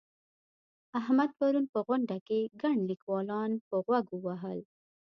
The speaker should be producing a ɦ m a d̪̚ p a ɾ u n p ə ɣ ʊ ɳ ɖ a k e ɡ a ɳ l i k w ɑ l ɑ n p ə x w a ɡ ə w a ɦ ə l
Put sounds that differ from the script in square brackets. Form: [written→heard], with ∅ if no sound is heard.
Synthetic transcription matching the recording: a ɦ m a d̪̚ p a ɾ u n p ə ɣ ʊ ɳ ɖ a k e ɡ a ɳ l i k w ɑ l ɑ n p ə [x→ɣ] w a ɡ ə w a ɦ ə l